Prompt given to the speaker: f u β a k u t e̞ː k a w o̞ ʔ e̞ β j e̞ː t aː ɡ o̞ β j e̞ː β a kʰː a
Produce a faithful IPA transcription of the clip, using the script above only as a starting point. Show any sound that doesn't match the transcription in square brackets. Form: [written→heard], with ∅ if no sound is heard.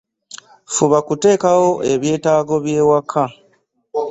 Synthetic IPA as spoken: f u β a k u t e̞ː k a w o̞ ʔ e̞ β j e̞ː t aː ɡ o̞ β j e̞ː [β→w] a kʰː a